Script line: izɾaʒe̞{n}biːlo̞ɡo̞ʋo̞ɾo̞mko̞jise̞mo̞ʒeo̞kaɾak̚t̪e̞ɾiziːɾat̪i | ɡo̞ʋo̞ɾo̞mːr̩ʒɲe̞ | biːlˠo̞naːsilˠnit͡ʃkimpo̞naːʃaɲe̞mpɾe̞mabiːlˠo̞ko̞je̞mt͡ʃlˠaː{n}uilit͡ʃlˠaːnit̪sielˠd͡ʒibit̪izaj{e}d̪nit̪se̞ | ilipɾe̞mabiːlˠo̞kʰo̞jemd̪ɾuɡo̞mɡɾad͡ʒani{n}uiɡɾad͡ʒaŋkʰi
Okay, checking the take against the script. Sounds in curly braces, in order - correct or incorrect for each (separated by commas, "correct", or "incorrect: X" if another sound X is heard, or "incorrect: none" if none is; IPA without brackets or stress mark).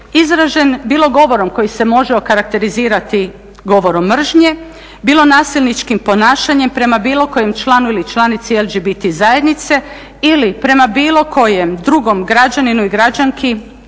correct, correct, correct, correct